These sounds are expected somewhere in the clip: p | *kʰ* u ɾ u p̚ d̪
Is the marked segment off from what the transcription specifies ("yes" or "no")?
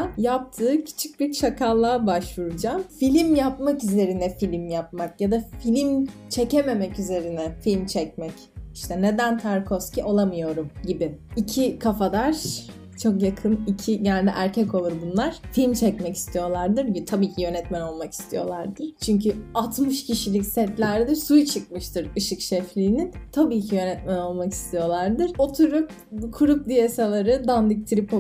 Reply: no